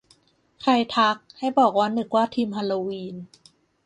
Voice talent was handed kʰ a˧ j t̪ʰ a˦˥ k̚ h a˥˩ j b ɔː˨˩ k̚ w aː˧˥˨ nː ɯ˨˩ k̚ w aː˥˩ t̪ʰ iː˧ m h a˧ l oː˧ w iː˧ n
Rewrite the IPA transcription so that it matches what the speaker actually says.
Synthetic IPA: kʰ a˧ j t̪ʰ a˦˥ k̚ h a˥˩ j b ɔː˨˩ k̚ w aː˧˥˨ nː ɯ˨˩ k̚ w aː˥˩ t̪ʰ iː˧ m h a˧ l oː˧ w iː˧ n